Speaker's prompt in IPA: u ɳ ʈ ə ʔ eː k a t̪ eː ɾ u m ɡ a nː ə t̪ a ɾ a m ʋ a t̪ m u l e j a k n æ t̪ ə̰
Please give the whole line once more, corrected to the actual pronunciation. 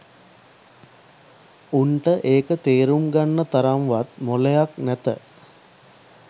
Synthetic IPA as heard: u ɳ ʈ ə ʔ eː k ə t̪ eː ɾ u m ɡ a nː ə t̪ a ɾ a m ʋ a t̪ m o l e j a k n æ t̪ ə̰